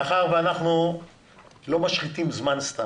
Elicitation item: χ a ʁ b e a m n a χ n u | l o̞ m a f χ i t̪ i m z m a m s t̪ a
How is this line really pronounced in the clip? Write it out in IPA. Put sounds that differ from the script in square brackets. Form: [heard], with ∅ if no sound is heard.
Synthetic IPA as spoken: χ a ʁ [v] e a [∅] n a χ n u | l o̞ m a [ʃ] χ i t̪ i m z m a [n] s t̪ a